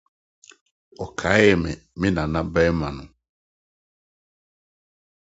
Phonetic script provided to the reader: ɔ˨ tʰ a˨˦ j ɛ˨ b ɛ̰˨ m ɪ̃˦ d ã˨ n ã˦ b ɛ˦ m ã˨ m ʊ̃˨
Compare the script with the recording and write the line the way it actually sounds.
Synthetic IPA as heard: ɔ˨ kʰ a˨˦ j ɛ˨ m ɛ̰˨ m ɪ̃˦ n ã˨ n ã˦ b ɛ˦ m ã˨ n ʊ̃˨